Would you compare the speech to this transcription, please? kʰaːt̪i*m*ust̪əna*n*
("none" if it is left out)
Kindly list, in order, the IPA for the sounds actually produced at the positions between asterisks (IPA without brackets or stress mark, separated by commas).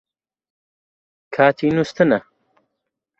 n, none